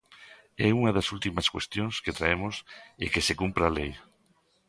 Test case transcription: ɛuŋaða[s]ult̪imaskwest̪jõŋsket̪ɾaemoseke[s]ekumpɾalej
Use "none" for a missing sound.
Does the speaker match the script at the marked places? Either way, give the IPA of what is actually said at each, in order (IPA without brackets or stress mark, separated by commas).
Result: s, s